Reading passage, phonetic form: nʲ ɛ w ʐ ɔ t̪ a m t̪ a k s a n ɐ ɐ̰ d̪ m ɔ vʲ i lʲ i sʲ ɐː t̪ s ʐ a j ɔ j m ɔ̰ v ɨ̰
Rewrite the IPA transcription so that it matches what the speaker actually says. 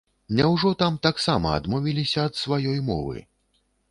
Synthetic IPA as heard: nʲ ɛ w ʐ ɔ t̪ a m t̪ a k s a m ɐ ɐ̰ d̪ m ɔ vʲ i lʲ i sʲ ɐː t̪ s v a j ɔ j m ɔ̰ v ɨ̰